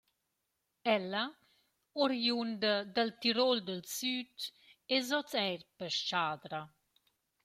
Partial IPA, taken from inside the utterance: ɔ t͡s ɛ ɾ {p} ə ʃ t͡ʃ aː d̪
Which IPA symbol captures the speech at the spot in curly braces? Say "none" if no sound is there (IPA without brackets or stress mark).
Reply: p